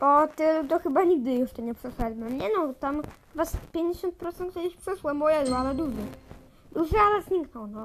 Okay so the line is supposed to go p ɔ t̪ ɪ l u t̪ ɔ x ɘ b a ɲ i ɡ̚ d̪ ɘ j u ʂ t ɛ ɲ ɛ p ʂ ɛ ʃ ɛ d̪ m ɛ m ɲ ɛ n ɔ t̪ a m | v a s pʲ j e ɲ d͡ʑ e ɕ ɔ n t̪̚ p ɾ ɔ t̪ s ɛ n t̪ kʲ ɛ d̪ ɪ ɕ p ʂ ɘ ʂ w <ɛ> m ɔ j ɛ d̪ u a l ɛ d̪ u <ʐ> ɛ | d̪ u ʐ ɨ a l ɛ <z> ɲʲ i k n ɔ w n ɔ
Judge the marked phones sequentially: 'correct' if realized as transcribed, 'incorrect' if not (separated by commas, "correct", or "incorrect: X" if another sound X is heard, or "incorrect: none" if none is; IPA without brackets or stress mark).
correct, correct, correct